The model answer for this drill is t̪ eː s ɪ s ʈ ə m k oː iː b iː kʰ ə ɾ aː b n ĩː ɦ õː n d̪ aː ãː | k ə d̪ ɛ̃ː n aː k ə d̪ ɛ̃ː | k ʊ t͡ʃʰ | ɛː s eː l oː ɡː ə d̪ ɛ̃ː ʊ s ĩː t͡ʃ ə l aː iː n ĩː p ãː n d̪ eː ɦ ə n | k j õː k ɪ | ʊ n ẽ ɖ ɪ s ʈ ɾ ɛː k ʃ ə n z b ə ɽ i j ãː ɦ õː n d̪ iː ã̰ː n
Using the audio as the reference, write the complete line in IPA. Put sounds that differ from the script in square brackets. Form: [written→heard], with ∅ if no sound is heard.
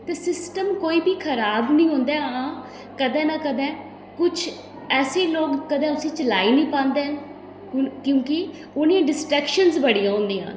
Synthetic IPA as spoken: t̪ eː s ɪ s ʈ ə m k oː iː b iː kʰ ə ɾ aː b n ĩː ɦ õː n d̪ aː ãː | k ə d̪ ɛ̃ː n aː k ə d̪ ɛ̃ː | k ʊ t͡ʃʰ | ɛː s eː l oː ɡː ə d̪ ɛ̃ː ʊ s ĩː t͡ʃ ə l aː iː n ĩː p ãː n d̪ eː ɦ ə n | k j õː k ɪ | ʊ n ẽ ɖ ɪ s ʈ ɾ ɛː k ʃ ə n z b ə ɽ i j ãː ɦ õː n d̪ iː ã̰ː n